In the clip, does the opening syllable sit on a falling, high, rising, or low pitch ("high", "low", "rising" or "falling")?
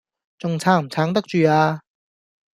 low